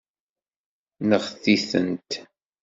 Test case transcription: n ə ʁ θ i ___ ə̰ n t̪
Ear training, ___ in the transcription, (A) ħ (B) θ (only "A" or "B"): B